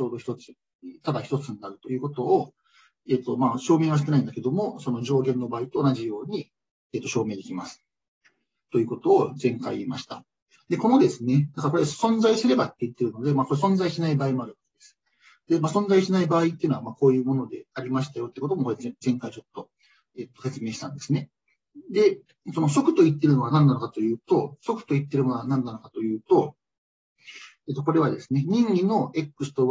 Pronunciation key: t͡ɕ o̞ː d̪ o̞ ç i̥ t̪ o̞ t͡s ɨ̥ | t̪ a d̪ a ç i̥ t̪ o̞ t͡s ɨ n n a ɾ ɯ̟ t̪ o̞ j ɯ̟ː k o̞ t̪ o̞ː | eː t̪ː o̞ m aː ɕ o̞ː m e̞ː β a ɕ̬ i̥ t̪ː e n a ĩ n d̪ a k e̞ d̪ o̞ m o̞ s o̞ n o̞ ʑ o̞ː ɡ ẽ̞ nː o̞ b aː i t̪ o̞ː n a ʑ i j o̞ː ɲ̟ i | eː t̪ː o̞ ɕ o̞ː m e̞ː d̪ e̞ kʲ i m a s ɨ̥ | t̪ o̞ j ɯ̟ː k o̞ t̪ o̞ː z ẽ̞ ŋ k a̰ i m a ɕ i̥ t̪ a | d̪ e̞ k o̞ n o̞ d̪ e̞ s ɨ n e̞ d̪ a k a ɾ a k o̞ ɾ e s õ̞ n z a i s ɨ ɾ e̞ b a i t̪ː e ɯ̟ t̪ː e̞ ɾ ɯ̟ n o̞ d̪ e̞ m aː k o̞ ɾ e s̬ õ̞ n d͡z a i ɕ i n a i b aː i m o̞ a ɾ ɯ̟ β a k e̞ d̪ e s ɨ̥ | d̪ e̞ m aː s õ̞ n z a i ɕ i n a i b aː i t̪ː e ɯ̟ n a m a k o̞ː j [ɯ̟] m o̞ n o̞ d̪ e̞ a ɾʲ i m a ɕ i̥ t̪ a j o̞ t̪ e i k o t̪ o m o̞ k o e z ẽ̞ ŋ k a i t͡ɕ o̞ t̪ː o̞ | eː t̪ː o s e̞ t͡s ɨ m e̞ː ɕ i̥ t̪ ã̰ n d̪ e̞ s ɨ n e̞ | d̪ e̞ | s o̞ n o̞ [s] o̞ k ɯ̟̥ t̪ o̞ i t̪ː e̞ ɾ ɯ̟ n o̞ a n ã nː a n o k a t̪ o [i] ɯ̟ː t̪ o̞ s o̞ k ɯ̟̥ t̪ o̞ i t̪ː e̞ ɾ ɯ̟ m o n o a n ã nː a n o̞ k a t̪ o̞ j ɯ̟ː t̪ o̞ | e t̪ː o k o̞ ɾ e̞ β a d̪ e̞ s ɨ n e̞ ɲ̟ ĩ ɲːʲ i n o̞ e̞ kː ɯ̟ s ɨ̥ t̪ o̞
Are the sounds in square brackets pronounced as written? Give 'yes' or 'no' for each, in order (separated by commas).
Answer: no, yes, no